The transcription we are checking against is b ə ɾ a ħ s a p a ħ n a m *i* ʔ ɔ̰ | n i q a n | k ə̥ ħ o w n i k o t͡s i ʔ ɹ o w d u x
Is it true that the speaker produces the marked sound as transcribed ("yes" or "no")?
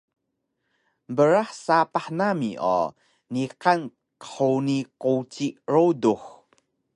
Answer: yes